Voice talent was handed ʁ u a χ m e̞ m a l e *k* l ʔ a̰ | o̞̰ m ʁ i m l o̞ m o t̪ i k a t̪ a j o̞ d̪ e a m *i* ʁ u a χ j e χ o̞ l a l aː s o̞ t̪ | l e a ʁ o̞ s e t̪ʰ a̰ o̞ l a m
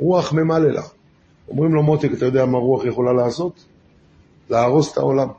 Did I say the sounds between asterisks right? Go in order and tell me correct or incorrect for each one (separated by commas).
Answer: incorrect, incorrect